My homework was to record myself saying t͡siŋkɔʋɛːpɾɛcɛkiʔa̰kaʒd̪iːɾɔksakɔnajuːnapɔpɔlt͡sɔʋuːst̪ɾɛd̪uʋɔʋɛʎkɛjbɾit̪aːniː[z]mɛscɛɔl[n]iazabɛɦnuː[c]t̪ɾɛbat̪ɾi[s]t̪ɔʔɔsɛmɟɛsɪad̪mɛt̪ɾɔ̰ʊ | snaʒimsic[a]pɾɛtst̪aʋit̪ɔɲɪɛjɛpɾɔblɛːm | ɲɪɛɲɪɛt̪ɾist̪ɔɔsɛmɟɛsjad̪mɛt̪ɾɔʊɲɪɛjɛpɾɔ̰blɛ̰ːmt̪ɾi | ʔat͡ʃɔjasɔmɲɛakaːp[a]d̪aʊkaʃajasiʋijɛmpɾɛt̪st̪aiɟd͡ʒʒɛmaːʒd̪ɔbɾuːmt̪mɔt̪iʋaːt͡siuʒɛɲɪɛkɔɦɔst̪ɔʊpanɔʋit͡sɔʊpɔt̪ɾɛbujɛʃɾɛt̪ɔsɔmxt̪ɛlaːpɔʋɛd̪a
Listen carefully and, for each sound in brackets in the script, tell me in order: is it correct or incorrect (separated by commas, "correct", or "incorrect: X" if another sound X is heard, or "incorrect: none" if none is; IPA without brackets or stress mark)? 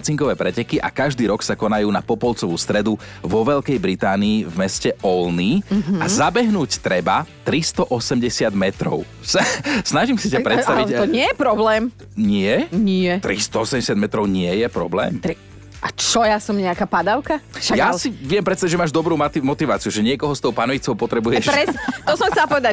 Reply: incorrect: v, correct, correct, correct, correct, correct